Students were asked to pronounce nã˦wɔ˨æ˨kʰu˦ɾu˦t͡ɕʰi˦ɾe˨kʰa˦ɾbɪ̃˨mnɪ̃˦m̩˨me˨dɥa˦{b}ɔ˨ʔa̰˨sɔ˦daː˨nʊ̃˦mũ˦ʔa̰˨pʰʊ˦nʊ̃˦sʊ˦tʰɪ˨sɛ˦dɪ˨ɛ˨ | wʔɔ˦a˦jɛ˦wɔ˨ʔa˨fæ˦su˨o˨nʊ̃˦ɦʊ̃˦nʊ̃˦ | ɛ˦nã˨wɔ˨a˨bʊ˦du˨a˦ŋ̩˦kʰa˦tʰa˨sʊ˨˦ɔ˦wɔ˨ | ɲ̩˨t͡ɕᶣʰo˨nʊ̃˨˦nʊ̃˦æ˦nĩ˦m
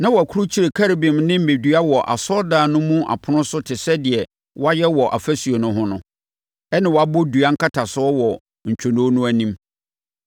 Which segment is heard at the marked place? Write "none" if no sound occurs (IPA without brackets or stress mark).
w